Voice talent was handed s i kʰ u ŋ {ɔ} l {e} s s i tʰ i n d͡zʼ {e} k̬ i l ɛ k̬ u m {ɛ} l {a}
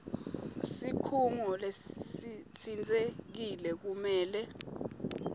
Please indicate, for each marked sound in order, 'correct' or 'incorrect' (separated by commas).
correct, correct, correct, incorrect, incorrect